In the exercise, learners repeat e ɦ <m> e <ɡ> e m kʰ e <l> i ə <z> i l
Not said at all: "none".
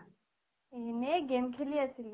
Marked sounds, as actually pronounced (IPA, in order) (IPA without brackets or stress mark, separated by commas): n, ɡ, l, s